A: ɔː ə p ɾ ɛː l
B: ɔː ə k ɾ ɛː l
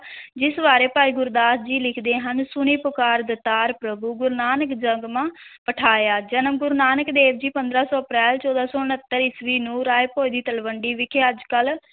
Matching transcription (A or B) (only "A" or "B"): A